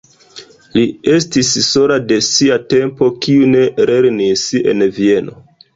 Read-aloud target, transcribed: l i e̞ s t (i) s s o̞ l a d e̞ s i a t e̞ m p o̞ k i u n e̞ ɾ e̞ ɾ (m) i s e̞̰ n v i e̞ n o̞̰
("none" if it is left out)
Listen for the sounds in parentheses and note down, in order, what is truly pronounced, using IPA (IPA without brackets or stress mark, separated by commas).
i, n